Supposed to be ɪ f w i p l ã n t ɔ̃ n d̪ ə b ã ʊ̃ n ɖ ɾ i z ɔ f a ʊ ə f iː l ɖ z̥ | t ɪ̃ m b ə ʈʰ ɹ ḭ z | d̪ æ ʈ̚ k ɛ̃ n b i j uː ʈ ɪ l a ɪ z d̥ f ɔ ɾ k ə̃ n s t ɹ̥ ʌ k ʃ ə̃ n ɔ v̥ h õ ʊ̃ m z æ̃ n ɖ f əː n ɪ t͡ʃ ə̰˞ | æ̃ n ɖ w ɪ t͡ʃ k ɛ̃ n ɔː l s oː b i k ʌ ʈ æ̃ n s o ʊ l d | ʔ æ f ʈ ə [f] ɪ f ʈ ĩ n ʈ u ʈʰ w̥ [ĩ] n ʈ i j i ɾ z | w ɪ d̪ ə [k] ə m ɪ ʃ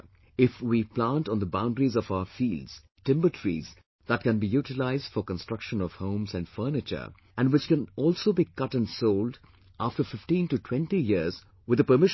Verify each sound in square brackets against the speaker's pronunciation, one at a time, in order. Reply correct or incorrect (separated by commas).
correct, incorrect, incorrect